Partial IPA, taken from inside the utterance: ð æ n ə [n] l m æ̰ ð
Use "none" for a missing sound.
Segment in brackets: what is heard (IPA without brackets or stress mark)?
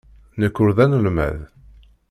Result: none